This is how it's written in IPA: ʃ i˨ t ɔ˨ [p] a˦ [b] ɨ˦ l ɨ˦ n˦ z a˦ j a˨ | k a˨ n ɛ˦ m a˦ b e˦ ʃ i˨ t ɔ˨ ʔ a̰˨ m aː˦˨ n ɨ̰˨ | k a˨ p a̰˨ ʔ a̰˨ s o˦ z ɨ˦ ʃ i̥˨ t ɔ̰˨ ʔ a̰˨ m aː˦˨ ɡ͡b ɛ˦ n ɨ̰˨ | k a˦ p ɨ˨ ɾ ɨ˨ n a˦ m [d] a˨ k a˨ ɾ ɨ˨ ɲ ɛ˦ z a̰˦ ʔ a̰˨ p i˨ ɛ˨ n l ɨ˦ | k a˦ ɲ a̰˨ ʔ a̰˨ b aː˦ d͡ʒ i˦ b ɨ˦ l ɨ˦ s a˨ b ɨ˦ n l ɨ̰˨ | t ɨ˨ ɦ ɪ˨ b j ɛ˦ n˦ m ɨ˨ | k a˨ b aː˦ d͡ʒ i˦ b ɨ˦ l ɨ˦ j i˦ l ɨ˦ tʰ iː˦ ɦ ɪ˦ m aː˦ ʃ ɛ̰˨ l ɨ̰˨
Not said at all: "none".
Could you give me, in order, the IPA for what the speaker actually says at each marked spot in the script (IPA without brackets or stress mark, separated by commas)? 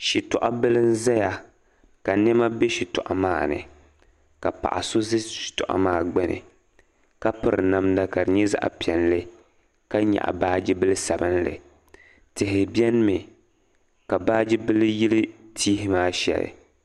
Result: ʔ, b, d